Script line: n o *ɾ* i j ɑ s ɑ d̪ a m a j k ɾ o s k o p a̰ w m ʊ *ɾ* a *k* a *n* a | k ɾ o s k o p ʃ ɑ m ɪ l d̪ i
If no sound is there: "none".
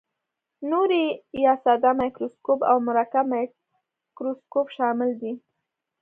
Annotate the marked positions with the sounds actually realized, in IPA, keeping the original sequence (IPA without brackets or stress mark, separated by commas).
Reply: ɾ, ɾ, k, m